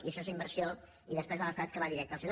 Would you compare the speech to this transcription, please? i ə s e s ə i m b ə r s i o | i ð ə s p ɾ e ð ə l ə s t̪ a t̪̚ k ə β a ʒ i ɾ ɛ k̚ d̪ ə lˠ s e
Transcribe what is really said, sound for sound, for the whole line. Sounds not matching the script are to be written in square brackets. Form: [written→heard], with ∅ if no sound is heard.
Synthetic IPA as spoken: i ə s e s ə i m b ə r s i o | i ð ə s p ɾ e [ð→z] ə l ə s t̪ a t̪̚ k ə β a [ʒ→ð] i ɾ ɛ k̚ [d̪→t̪] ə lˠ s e